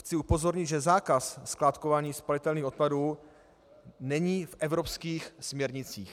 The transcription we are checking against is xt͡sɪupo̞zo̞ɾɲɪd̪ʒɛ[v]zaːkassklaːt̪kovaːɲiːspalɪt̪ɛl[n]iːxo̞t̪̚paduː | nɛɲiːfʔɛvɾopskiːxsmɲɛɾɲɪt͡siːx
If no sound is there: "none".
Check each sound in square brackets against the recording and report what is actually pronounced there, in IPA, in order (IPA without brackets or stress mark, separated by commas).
none, n